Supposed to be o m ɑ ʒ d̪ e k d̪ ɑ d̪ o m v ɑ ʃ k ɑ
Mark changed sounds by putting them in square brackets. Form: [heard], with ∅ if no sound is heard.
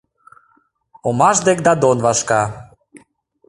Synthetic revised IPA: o m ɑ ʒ d̪ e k d̪ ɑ d̪ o [n] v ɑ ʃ k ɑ

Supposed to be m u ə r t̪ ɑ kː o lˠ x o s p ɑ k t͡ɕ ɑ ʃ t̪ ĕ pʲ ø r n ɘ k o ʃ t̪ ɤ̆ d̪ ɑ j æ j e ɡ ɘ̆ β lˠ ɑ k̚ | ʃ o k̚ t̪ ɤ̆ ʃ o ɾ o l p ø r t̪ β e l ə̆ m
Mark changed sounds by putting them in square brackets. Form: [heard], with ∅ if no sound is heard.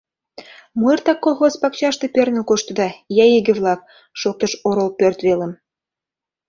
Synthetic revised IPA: m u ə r t̪ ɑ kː o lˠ x o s p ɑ k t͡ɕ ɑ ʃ t̪ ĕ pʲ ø r n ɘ k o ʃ t̪ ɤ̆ d̪ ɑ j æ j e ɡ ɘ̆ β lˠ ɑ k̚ | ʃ o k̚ t̪ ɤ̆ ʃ o ɾ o l p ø r t̪ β e l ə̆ m

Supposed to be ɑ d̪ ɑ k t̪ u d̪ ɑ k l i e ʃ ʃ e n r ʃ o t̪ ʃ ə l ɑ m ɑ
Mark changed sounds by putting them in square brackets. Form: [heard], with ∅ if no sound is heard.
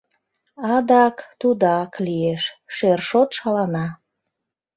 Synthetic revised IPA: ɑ d̪ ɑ k t̪ u d̪ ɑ k l i e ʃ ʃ e [∅] r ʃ o t̪ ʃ [ɑ] l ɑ [n] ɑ

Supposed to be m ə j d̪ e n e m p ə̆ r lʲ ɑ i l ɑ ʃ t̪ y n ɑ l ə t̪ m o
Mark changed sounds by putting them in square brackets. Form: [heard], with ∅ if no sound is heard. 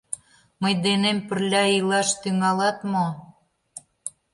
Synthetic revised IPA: m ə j d̪ e n e m p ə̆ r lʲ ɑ i l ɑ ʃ t̪ y [ŋ] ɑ l [ɑ] t̪ m o

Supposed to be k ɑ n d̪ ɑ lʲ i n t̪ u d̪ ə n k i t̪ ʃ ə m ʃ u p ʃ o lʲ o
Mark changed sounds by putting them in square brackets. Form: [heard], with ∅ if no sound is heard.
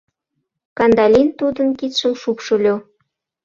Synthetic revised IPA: k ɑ n d̪ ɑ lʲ i n t̪ u d̪ ə n k i t̪ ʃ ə m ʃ u p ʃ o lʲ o

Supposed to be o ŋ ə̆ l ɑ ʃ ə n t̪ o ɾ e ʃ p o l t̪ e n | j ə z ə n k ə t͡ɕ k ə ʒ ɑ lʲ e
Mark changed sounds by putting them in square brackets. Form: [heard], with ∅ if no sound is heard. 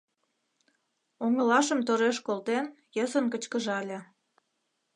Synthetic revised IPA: o ŋ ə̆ l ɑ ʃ ə [m] t̪ o ɾ e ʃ [k] o l t̪ e n | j ə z ə n k ə t͡ɕ k ə ʒ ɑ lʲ e

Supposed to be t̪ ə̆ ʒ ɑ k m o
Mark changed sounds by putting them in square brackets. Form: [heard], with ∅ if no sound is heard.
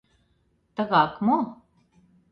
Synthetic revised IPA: t̪ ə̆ [ɣ] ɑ k m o

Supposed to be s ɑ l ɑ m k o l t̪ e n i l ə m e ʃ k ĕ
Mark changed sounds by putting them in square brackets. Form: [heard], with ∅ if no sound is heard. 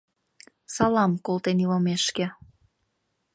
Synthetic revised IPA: s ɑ l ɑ m k o l t̪ e n i l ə m e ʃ k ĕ

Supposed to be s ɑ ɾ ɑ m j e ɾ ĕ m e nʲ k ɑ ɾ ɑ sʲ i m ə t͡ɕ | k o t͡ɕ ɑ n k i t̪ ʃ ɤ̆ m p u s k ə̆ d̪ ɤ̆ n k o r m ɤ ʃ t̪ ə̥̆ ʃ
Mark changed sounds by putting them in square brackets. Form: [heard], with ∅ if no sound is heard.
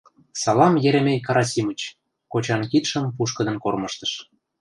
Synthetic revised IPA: s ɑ [l] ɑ m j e ɾ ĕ m e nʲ k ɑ ɾ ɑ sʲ i m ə t͡ɕ | k o t͡ɕ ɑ n k i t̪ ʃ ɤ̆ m p u [ʃ] k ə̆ d̪ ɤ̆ n k o r m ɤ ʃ t̪ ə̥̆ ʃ

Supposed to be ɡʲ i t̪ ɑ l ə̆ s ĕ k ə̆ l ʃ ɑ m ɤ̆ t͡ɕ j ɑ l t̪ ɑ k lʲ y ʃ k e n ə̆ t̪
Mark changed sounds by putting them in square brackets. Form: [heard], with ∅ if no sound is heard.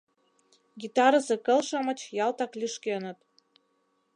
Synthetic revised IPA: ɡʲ i t̪ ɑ [ɾ] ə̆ s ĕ k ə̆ l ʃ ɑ m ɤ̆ t͡ɕ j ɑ l t̪ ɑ k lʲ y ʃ k e n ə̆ t̪

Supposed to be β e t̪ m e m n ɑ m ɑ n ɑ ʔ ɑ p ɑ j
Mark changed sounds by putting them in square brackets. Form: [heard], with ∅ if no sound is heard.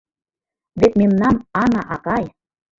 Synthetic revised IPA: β e t̪ m e m n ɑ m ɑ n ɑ ʔ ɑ [k] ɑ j

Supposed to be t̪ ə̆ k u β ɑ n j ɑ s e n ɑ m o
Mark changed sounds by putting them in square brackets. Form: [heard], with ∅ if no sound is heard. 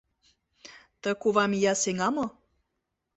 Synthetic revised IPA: t̪ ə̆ k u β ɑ [m] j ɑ s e [ŋ] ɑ m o

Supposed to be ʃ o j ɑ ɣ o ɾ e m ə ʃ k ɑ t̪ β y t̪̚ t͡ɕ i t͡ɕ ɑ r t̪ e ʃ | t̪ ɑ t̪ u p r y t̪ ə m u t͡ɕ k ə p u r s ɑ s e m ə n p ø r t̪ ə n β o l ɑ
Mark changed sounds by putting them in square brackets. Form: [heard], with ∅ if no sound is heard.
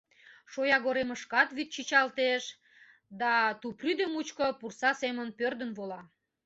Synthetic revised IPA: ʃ o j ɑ ɣ o ɾ e m ə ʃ k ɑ t̪ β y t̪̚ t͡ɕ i t͡ɕ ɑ [l] t̪ e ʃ | [d̪] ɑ t̪ u p r y [d̪] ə m u t͡ɕ k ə p u r s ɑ s e m ə n p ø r [d̪] ə n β o l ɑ

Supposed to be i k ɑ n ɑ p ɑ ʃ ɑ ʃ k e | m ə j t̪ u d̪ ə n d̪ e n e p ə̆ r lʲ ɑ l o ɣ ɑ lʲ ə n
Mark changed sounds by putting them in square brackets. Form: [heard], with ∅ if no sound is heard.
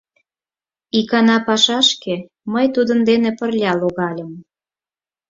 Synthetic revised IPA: i k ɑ n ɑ p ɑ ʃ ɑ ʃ k e | m ə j t̪ u d̪ ə n d̪ e n e p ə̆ r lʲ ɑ l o ɣ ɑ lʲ ə [m]

